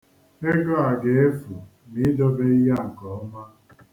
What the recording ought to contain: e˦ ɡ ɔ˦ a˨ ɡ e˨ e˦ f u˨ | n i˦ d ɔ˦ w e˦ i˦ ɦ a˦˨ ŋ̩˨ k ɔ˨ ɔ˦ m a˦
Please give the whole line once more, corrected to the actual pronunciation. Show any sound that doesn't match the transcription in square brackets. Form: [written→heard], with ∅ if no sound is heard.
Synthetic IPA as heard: e˦ ɡ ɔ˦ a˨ ɡ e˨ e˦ f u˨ | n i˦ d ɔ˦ [w→b] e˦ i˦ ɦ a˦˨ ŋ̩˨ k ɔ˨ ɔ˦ m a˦